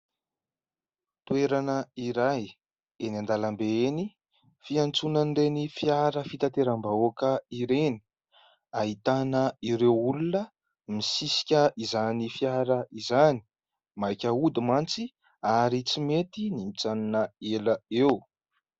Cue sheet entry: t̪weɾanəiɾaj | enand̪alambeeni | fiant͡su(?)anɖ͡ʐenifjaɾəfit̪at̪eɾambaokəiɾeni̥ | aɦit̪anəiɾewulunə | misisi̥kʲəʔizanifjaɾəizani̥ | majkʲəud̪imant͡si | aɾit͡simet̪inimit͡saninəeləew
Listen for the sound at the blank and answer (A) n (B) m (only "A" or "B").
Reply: A